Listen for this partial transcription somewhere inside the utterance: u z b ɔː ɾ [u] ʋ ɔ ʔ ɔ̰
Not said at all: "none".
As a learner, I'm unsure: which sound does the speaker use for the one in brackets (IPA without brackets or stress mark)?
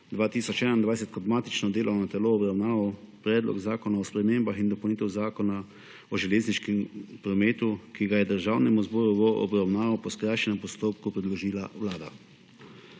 u